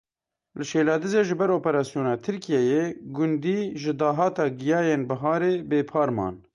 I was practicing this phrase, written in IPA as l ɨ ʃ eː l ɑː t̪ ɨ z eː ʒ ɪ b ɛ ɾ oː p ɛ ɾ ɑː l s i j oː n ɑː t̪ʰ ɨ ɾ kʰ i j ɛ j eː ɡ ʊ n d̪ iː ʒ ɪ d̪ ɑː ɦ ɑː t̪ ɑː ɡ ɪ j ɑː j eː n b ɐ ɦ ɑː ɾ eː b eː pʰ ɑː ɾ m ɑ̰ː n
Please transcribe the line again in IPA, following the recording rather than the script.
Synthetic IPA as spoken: l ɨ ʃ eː l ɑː d̪ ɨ z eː ʒ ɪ b ɛ ɾ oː p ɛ ɾ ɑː s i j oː n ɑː t̪ʰ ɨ ɾ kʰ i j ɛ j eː ɡ ʊ n d̪ iː ʒ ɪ d̪ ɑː ɦ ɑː t̪ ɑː ɡ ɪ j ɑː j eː n b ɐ ɦ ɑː ɾ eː b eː pʰ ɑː ɾ m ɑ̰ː n